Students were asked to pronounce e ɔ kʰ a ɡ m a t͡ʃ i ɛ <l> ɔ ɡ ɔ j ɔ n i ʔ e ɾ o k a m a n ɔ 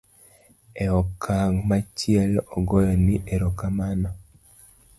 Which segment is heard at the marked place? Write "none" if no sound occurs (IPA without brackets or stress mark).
l